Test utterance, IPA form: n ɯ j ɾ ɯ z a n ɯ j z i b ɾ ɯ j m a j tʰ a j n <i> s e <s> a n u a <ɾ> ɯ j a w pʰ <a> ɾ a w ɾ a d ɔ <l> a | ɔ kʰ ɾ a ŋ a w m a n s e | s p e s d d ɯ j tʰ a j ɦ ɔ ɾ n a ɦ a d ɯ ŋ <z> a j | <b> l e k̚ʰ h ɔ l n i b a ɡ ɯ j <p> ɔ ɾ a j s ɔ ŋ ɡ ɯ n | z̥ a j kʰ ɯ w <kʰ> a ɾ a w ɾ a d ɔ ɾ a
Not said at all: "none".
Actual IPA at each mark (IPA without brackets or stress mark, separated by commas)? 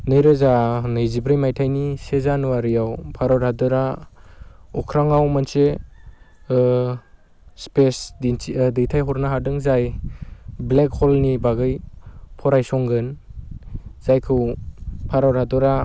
i, z, ɾ, a, ɾ, z, b, pʰ, pʰ